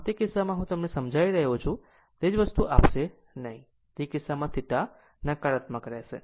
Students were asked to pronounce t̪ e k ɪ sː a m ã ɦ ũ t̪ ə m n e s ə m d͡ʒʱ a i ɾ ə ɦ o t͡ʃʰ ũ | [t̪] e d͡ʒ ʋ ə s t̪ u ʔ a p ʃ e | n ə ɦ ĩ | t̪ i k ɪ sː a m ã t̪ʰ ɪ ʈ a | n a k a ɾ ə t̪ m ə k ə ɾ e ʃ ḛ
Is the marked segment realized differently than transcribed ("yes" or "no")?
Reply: no